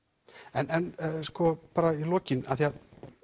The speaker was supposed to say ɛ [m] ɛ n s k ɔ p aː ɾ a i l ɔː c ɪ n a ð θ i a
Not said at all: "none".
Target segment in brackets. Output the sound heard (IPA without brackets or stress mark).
n